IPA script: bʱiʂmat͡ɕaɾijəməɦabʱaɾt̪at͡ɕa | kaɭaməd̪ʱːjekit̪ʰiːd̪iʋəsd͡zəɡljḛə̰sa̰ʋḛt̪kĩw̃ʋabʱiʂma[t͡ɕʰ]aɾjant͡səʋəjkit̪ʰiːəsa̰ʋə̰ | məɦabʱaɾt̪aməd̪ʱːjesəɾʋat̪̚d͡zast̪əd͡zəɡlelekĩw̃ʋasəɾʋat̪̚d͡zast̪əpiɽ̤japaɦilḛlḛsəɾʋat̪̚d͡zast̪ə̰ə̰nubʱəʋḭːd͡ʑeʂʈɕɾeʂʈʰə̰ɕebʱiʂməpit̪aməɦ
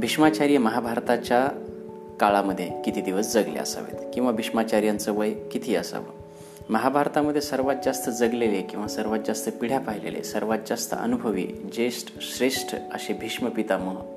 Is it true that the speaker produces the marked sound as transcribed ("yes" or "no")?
no